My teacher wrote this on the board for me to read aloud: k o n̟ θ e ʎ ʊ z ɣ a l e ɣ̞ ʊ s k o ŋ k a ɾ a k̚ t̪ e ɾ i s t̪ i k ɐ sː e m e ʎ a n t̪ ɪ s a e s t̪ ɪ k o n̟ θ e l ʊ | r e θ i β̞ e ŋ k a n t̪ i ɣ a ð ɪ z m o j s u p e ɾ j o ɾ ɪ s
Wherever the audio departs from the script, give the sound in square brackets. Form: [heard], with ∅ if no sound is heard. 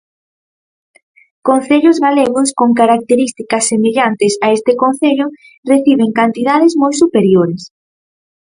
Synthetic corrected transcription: k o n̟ θ e ʎ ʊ z ɣ a l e ɣ̞ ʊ s k o ŋ k a ɾ a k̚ t̪ e ɾ i s t̪ i k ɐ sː e m e ʎ a n t̪ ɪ s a e s t̪ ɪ k o n̟ θ e [ʎ] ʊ | r e θ i β̞ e ŋ k a n t̪ i [ð] a ð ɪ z m o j s u p e ɾ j o ɾ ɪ s